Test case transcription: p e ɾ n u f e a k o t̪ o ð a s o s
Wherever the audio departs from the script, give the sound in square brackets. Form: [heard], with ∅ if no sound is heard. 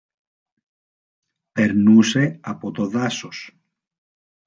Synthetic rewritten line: p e ɾ n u [s] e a [p] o t̪ o ð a s o s